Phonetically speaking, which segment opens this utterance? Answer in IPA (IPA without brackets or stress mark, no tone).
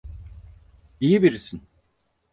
i